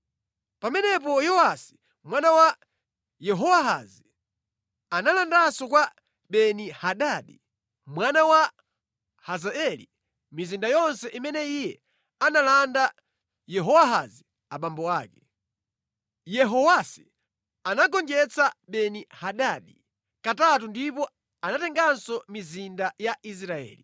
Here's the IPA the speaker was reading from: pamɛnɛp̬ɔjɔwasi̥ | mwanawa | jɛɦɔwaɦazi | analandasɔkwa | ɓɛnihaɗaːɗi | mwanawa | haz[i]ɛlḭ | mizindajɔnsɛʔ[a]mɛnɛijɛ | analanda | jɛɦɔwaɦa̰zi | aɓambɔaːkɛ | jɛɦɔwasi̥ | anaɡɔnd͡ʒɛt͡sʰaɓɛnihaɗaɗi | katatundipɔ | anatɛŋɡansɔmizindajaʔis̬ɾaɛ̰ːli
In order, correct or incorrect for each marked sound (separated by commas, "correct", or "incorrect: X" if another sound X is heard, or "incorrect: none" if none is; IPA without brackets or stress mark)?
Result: incorrect: a, incorrect: i